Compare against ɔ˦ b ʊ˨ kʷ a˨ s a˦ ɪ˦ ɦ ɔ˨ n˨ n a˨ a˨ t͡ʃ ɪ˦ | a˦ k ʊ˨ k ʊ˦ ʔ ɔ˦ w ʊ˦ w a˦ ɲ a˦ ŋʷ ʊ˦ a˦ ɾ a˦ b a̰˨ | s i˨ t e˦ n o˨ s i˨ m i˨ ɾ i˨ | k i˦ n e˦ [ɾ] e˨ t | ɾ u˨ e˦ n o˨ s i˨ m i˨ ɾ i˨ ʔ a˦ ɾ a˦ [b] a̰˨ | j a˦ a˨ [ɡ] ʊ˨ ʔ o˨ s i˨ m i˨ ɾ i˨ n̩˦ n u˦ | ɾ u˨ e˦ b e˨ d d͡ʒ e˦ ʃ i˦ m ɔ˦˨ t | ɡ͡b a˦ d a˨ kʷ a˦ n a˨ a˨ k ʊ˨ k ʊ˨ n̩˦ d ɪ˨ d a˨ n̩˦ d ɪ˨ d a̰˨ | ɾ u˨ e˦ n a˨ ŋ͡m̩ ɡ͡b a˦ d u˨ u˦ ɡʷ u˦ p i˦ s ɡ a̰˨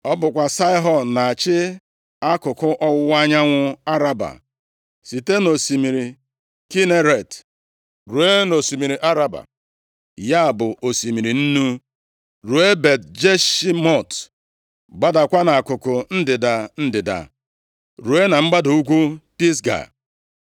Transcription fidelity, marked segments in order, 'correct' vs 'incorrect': correct, correct, incorrect

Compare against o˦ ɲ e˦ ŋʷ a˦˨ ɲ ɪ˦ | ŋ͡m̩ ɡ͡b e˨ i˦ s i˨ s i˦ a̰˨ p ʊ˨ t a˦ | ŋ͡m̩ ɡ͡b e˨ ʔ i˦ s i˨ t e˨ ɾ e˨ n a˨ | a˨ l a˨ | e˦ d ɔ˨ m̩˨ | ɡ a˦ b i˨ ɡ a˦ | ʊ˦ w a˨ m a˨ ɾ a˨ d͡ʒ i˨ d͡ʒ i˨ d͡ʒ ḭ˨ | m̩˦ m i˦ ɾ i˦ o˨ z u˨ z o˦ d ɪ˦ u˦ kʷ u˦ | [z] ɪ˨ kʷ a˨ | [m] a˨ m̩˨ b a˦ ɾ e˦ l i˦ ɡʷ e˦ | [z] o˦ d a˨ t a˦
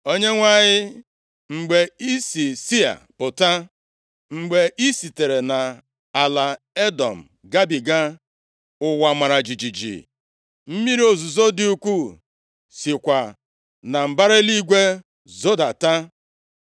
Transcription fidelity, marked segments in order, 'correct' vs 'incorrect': incorrect, incorrect, correct

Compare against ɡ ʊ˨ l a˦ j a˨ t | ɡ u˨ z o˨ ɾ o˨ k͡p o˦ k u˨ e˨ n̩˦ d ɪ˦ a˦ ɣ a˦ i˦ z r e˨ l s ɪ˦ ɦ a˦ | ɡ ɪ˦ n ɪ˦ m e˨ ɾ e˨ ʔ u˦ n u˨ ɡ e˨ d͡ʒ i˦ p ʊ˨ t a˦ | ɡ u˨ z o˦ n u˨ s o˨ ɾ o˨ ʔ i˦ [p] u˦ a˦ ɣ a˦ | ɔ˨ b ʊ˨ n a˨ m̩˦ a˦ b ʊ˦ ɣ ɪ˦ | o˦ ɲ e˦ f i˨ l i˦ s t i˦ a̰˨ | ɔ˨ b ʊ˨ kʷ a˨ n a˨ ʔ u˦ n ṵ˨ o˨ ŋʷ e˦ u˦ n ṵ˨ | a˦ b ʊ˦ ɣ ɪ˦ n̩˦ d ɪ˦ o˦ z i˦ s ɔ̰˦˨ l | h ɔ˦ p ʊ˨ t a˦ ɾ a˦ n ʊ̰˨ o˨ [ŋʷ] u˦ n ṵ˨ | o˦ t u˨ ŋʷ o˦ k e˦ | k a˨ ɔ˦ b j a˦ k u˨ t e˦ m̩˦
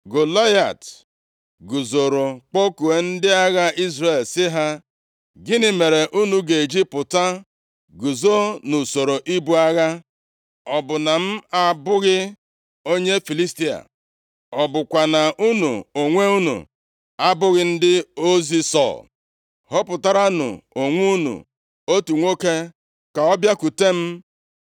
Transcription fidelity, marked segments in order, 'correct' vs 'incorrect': incorrect, correct

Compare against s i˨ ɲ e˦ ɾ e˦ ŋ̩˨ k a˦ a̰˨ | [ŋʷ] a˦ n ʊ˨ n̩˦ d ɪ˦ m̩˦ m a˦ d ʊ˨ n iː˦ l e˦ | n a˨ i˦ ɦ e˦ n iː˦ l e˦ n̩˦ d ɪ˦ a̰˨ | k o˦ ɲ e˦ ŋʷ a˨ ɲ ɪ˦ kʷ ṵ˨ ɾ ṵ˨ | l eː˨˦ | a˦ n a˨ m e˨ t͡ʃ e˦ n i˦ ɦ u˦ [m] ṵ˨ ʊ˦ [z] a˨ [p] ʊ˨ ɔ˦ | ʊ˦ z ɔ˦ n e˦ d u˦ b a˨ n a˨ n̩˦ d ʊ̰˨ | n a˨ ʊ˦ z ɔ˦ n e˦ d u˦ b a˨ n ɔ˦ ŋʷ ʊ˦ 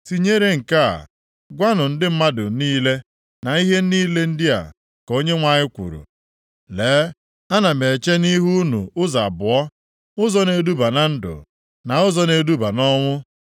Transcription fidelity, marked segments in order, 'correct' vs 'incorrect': incorrect, incorrect, correct, incorrect

